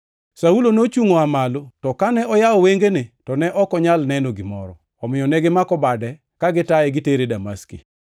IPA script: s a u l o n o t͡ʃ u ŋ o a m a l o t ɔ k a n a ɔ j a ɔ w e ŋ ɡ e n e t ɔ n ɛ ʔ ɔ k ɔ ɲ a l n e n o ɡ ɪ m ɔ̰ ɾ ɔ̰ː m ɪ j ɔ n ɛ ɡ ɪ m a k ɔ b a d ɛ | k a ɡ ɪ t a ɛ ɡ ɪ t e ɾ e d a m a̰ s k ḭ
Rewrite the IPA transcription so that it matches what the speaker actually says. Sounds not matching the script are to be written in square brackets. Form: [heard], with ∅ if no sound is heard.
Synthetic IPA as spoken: s a u l o n o t͡ʃ u ŋ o a m a l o t ɔ k a n [ɛ] ɔ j a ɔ w e ŋ ɡ e n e t ɔ n ɛ ʔ ɔ k ɔ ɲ a l n [ɛ] n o ɡ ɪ m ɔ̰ ɾ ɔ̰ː m ɪ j ɔ n ɛ ɡ ɪ m a k ɔ b a d ɛ | k a ɡ ɪ t a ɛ ɡ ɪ t e ɾ e d a m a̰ s k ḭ

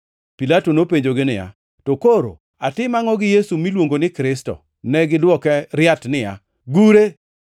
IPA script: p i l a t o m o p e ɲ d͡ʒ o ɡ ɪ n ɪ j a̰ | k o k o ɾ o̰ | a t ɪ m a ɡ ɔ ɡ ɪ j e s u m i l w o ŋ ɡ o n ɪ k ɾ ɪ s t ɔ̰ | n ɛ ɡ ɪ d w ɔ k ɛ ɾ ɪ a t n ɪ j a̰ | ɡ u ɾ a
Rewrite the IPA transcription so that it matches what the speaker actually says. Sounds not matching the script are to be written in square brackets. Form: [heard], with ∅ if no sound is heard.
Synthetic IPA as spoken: p i l a t o [n] o p e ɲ d͡ʒ o ɡ ɪ n ɪ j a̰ | [t] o k o ɾ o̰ | a t ɪ m a [ŋ] ɔ ɡ ɪ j e s u m i l w o ŋ ɡ o n ɪ k ɾ ɪ s t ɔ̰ | n ɛ ɡ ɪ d w ɔ k ɛ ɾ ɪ a t n ɪ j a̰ | ɡ u ɾ [e]

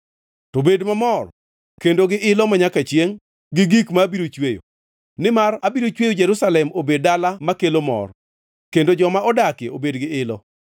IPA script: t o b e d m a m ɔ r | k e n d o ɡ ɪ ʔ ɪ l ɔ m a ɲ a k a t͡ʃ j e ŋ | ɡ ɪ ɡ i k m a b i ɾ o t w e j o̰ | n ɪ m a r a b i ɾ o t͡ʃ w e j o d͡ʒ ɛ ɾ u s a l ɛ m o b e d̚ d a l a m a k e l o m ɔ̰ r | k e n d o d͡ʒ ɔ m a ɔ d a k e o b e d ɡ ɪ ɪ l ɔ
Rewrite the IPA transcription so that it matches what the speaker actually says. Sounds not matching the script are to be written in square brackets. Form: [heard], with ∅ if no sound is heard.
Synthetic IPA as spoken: t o b e d m a m ɔ r | k e n d o ɡ ɪ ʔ ɪ l ɔ m a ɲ a k a t͡ʃ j e ŋ | ɡ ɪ ɡ i k m a b i ɾ o [t͡ʃ] w e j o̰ | n ɪ m a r a b i ɾ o t͡ʃ w e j o d͡ʒ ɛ ɾ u s a l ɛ m o b e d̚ d a l a m a k e l o m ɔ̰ r | k e n d o d͡ʒ ɔ m a ɔ d a k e o b e d ɡ ɪ ɪ l ɔ

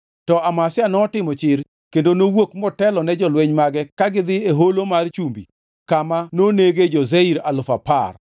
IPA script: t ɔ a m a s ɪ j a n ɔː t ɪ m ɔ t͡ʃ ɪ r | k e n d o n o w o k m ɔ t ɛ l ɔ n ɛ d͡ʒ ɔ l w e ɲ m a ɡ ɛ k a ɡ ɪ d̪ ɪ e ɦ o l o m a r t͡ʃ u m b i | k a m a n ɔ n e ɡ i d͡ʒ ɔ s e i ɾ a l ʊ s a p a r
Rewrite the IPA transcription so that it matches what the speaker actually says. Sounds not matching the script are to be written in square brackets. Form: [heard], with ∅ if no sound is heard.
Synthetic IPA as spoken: t ɔ a m a s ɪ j a n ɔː t ɪ m ɔ t͡ʃ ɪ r | k e n d o n o w o k m ɔ t ɛ l ɔ n ɛ d͡ʒ ɔ l w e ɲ m a ɡ ɛ k a ɡ ɪ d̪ ɪ e ɦ o l o m a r t͡ʃ u m b i | k a m a n [o] n e ɡ [e] d͡ʒ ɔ [z] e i ɾ a l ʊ [f] a p a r

